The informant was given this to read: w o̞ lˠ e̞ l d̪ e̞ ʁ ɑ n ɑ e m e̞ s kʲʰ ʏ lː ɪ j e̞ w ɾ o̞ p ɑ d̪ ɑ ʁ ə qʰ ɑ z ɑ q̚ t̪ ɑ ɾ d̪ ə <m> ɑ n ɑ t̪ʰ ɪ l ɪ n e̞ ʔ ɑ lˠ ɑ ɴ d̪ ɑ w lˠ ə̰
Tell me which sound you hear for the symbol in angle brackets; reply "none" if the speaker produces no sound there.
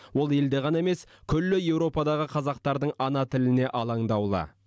ɴ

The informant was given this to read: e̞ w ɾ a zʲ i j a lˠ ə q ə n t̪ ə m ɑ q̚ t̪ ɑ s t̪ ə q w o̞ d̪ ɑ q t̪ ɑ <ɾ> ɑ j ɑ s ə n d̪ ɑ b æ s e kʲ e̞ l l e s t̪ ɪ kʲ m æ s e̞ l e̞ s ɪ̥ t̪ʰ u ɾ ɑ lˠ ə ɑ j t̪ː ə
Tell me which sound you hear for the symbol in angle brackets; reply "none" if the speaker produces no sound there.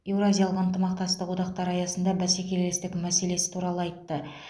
ɾ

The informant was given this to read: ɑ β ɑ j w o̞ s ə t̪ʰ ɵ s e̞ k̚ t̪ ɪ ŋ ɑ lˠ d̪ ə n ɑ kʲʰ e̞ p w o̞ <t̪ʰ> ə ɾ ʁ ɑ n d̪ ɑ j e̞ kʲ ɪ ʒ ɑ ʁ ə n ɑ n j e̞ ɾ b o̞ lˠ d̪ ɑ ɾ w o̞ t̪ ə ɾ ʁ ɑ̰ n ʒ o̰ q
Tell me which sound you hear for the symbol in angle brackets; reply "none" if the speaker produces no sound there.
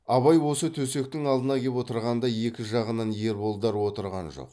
t̪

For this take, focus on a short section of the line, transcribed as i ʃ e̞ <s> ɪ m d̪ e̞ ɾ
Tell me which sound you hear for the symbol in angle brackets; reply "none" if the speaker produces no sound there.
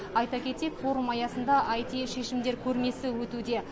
ʃ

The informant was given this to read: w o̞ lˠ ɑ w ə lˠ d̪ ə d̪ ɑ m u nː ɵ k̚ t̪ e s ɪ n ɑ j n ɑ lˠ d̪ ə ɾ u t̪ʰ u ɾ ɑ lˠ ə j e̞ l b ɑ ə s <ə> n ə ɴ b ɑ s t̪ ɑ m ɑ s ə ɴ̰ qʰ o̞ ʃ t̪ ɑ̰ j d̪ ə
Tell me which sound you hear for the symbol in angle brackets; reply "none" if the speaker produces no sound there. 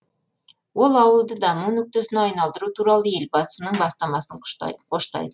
ə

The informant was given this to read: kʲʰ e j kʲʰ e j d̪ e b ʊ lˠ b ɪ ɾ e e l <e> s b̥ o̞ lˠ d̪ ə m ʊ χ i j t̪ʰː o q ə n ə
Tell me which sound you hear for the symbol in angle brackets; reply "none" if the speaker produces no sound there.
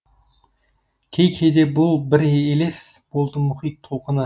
e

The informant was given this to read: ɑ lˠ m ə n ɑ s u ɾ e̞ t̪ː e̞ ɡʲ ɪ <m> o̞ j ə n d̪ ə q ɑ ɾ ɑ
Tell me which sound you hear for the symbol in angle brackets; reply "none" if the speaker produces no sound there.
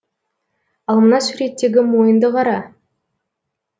m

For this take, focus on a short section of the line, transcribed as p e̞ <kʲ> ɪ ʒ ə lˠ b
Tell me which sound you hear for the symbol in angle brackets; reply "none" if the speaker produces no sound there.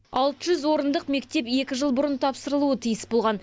kʲ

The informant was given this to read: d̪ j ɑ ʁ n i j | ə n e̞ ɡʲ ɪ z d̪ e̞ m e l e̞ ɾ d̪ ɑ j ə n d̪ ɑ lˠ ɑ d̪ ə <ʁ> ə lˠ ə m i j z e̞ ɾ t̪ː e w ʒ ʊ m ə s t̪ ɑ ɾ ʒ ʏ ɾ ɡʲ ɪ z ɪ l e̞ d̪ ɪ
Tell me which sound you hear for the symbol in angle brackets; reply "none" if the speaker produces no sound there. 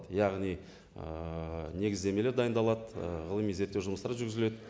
ʁ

